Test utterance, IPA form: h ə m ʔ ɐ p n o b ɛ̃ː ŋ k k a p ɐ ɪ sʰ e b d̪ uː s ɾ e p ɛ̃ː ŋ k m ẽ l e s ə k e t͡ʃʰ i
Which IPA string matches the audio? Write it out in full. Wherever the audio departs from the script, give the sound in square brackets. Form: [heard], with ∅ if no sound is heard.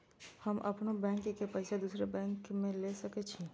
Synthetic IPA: h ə m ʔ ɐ p n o b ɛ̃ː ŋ k k [e] p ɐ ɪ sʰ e [∅] d̪ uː s ɾ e [b] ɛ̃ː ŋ k m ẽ l e s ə k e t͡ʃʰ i